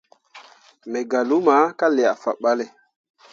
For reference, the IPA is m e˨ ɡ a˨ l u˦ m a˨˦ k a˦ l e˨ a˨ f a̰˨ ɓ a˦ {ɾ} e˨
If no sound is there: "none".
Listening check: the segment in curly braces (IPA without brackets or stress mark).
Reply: l